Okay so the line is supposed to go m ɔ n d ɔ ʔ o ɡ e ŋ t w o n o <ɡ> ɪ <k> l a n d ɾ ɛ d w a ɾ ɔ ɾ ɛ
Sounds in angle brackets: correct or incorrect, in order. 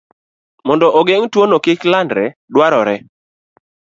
incorrect: k, correct

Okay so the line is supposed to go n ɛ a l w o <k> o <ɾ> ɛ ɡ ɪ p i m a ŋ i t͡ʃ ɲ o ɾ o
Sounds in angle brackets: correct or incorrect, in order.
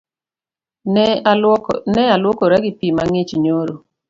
correct, correct

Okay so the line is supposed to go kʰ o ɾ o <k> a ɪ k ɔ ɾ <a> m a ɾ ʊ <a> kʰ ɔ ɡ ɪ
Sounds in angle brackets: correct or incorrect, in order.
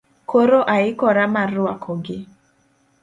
incorrect: ʔ, correct, correct

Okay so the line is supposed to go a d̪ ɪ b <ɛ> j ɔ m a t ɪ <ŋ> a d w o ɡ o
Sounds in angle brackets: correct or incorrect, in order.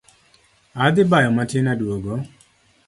incorrect: a, incorrect: n

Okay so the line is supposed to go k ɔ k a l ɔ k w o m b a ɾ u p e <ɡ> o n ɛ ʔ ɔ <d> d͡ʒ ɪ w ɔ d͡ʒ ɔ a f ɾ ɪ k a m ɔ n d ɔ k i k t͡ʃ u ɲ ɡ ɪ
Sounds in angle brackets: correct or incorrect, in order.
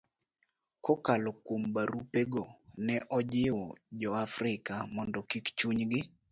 correct, incorrect: none

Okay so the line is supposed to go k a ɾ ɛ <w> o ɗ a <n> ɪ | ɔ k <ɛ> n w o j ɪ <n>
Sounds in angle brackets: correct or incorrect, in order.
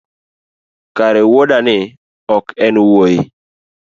correct, correct, correct, incorrect: none

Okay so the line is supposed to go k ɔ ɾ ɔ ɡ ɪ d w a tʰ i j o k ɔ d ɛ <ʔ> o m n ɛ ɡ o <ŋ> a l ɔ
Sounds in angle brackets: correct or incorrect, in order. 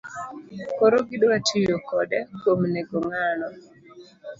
incorrect: k, correct

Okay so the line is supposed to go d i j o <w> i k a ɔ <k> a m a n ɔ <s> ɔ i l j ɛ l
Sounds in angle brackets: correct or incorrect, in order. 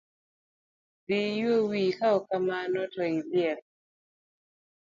correct, correct, incorrect: t

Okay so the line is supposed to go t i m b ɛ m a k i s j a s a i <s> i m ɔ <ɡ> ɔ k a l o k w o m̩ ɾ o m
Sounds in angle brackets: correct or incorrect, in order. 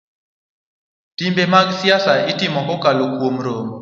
incorrect: t, incorrect: k

